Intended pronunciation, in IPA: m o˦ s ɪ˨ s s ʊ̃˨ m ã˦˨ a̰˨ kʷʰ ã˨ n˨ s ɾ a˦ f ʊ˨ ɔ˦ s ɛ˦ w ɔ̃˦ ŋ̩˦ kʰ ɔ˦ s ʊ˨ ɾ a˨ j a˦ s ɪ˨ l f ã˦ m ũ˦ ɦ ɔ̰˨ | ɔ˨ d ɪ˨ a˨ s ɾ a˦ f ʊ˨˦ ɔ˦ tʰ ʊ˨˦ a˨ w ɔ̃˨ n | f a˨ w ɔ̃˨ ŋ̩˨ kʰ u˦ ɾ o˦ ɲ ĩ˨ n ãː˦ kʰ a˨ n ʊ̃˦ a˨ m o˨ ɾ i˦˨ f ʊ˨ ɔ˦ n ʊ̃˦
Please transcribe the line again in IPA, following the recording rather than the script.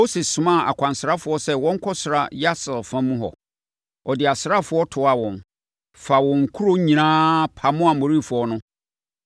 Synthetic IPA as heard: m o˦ s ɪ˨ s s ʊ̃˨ m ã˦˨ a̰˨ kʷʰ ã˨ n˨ s ɾ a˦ f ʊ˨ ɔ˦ s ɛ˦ w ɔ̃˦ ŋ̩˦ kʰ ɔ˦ s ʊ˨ ɾ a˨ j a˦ s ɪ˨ l f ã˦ m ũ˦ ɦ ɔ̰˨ | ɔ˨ d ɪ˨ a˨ s ɾ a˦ f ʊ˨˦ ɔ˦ tʰ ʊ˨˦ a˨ w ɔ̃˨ n | f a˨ w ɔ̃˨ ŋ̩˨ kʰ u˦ ɾ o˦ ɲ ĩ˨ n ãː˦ pʰ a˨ m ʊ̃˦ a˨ m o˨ ɾ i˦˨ f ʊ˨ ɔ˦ n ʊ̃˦

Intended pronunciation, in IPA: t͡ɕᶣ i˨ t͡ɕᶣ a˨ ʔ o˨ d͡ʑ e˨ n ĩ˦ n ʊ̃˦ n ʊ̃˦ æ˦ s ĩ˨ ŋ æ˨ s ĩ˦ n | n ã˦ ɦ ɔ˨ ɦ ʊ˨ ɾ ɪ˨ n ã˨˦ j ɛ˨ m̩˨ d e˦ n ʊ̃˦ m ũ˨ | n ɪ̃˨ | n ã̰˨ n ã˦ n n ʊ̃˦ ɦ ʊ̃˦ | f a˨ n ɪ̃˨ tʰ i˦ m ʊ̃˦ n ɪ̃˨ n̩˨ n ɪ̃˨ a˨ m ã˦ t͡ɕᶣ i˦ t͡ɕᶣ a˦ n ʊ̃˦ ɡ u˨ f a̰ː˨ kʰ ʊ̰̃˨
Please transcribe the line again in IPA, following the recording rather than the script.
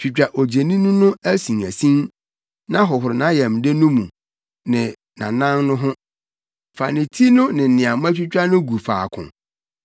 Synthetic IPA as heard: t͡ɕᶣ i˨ t͡ɕᶣ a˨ ʔ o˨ d͡ʑ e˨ n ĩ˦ n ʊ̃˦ n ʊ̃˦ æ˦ s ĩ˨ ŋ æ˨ s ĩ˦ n | n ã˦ ɦ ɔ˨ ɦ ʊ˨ ɾ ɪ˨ n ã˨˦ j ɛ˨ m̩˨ d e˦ n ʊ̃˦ m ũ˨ | n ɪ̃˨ | n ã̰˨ n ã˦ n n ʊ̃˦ ɦ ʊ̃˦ | f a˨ n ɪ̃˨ tʰ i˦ n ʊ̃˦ n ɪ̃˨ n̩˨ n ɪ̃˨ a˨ m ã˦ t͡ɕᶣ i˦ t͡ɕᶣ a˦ n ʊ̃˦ ɡ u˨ f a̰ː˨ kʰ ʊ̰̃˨

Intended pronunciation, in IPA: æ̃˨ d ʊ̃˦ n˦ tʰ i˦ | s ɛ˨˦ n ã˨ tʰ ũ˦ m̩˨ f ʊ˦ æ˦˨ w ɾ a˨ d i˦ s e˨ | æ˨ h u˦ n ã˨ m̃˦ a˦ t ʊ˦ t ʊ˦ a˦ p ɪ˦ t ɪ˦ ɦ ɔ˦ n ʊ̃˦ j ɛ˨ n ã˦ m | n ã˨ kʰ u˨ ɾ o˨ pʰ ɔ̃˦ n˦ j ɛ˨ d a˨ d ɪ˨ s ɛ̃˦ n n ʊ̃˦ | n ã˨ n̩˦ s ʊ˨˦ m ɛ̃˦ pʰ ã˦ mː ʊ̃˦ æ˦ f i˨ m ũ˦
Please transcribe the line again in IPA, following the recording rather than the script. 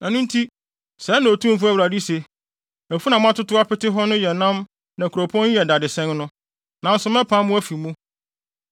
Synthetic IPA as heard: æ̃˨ n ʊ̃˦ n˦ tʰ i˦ | s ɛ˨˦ n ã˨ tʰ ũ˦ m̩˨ f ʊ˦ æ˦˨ w ɾ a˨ d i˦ s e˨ | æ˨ f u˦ n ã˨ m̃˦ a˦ t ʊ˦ t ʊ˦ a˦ p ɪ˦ t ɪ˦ ɦ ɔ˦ n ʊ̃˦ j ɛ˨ n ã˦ m | n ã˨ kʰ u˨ ɾ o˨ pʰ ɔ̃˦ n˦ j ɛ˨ d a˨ d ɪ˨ s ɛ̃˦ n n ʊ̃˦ | n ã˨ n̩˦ s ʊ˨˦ m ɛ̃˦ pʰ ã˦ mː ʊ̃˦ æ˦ f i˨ m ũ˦

